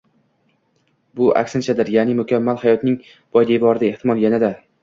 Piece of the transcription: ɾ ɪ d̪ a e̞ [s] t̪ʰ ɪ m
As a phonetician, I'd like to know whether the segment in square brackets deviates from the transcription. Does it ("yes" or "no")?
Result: yes